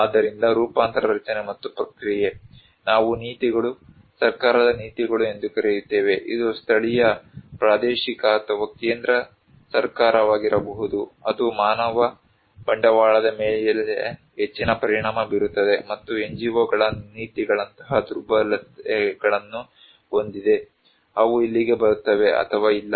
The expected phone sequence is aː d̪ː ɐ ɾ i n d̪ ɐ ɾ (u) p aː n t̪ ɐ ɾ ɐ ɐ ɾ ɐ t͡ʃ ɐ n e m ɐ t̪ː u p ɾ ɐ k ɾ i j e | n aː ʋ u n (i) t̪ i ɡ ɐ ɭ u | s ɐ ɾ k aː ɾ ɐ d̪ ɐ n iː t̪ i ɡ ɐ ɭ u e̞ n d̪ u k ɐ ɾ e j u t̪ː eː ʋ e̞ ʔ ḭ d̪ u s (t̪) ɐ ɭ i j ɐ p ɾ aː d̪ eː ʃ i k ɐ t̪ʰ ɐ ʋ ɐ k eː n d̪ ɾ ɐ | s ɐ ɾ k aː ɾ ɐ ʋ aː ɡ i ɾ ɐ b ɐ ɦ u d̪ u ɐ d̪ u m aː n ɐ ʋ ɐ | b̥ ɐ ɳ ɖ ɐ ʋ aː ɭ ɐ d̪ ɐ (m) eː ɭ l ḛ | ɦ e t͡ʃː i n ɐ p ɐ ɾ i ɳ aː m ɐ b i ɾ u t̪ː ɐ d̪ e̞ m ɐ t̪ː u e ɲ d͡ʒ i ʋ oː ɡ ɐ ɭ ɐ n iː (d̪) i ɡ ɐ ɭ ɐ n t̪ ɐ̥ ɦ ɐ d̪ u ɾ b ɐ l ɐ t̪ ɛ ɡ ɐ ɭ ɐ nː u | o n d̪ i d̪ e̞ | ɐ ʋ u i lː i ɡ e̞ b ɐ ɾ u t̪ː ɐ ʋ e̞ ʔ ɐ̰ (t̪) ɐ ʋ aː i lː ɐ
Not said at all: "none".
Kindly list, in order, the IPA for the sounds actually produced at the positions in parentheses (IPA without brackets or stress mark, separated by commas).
uː, iː, t̪ʰ, m, t̪, t̪ʰ